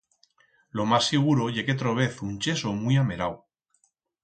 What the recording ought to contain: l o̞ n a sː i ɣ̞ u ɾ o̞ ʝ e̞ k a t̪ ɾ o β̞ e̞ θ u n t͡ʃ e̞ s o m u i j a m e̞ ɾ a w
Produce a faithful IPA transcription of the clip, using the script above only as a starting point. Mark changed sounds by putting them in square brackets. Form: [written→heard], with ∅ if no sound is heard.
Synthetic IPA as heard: l o̞ [n→m] a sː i ɣ̞ u ɾ o̞ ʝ e̞ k [a→e] t̪ ɾ o β̞ e̞ θ u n t͡ʃ e̞ s o m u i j a m e̞ ɾ a w